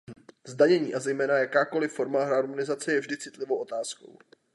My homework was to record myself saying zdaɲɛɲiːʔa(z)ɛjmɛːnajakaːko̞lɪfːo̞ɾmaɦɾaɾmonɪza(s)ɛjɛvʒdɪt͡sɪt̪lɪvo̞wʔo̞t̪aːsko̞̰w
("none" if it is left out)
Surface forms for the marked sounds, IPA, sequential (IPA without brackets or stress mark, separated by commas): z, t͡s